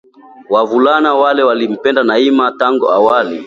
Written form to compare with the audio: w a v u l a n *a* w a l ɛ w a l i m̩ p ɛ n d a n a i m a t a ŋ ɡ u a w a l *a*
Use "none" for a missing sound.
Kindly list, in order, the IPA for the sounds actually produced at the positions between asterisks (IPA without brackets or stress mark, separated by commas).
a, i